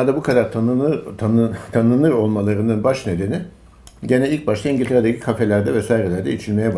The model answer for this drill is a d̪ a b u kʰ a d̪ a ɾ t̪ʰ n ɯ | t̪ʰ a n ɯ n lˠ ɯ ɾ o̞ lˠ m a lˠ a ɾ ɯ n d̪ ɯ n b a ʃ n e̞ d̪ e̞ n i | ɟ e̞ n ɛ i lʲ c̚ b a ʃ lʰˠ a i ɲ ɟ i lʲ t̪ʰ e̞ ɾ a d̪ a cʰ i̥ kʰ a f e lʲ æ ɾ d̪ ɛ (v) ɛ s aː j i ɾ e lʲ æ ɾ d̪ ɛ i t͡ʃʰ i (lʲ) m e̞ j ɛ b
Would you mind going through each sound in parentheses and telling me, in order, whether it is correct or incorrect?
correct, correct

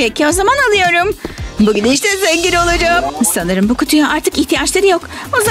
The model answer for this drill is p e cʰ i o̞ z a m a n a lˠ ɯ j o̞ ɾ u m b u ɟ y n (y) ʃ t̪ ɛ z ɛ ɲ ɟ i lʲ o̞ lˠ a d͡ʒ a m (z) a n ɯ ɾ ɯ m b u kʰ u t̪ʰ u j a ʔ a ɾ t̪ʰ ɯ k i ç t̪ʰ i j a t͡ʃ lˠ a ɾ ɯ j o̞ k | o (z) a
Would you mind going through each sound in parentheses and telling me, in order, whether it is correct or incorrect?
incorrect, incorrect, correct

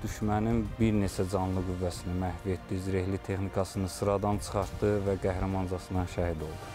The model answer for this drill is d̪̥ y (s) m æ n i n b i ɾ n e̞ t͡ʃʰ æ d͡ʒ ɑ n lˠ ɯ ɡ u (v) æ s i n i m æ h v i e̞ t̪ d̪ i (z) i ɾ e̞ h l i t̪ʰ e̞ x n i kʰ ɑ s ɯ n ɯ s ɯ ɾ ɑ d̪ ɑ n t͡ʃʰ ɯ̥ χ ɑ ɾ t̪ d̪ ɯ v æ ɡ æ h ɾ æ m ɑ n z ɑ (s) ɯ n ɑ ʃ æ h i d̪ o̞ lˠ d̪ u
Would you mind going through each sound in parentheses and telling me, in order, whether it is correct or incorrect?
incorrect, incorrect, correct, correct

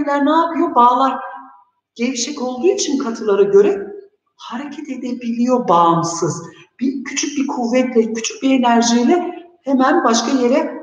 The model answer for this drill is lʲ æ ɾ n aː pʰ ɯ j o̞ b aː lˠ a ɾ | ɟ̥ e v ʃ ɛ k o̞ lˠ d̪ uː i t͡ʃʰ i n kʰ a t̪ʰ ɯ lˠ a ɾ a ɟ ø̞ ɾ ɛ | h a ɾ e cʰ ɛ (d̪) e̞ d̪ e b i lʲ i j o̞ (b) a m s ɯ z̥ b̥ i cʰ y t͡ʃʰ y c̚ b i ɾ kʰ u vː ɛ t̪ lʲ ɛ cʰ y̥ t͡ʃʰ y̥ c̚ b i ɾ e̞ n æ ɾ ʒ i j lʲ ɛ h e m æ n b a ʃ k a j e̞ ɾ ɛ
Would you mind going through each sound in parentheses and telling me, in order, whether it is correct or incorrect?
incorrect, correct

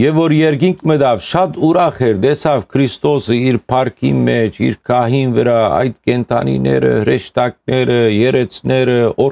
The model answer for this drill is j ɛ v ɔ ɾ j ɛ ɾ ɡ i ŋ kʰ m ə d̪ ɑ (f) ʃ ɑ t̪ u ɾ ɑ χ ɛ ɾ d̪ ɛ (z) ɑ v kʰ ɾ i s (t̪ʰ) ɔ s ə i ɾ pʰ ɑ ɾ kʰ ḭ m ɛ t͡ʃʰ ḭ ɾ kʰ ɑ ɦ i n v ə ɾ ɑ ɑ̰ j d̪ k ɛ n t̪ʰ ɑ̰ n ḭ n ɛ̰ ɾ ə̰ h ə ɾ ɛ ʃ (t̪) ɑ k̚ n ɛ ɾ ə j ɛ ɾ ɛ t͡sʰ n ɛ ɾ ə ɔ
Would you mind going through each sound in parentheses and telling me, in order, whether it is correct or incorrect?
incorrect, incorrect, incorrect, correct

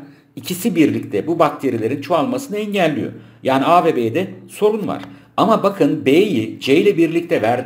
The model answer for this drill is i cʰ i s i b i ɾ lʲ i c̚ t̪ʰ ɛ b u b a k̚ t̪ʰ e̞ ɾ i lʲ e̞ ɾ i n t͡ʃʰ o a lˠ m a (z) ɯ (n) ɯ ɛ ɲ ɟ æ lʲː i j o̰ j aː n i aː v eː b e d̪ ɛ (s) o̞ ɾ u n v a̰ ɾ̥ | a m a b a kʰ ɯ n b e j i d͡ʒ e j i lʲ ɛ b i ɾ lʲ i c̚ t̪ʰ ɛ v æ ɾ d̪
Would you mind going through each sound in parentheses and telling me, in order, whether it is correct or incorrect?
incorrect, correct, correct

